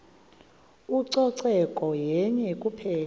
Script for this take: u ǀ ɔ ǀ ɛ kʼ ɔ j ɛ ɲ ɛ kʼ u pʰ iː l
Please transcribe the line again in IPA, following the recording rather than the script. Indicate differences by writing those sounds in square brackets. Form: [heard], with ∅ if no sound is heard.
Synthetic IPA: u ǀ ɔ ǀ ɛ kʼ ɔ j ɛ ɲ ɛ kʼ u pʰ [ɛː] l